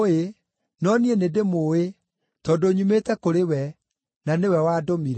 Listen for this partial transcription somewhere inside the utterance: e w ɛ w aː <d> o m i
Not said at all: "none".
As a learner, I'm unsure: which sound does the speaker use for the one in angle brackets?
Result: d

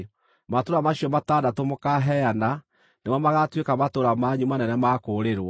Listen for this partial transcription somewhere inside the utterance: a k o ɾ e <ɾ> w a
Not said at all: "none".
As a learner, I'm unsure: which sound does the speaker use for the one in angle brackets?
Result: ɾ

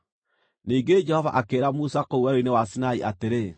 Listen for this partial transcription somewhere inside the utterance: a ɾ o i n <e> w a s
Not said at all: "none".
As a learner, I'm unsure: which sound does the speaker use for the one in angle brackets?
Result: e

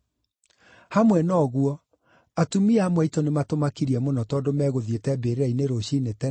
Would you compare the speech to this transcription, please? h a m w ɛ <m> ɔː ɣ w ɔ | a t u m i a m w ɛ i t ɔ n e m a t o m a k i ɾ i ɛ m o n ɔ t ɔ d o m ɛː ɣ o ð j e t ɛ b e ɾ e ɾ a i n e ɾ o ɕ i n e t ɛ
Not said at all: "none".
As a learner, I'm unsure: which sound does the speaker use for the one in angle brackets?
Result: n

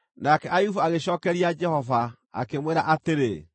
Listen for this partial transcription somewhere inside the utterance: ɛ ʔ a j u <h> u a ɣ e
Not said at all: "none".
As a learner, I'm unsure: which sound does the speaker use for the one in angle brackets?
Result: f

